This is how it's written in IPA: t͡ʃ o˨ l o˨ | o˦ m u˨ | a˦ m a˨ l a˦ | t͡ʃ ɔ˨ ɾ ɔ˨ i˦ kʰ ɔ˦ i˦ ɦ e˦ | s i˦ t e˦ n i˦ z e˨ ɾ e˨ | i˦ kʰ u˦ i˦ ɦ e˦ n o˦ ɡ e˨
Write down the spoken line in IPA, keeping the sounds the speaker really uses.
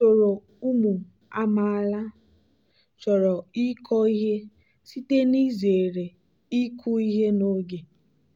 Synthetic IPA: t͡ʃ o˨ ɾ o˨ | u˦ m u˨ | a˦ m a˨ l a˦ | t͡ʃ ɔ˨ ɾ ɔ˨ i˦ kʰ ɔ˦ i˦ ɦ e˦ | s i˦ t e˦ n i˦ z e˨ ɾ e˨ | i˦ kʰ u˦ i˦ ɦ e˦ n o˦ ɡ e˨